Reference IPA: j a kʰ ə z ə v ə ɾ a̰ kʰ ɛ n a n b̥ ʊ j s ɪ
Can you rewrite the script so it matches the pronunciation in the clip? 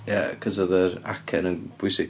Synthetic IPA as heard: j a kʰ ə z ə ð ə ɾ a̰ kʰ ɛ n ə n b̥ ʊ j s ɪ